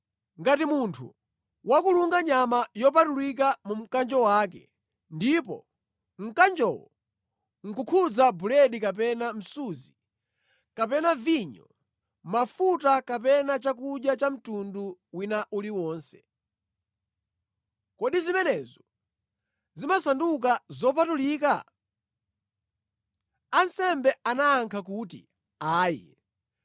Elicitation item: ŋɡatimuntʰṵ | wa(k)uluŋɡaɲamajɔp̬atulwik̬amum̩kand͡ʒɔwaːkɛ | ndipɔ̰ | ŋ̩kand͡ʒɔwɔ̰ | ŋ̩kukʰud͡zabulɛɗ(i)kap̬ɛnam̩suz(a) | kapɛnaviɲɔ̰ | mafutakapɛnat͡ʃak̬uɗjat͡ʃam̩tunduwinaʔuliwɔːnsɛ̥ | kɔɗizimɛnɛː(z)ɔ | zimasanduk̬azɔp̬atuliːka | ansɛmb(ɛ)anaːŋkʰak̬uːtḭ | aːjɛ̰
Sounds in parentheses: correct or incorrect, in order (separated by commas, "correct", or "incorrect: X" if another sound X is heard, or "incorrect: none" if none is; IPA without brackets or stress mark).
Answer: correct, correct, incorrect: i, correct, correct